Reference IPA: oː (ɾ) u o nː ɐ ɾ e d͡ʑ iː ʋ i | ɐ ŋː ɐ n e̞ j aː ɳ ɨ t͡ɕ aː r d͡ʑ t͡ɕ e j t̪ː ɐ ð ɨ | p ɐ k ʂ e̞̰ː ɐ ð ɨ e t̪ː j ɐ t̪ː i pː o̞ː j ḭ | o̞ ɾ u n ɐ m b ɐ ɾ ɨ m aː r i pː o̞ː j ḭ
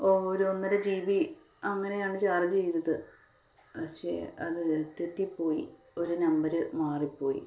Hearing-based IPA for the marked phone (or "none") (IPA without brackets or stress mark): ɾ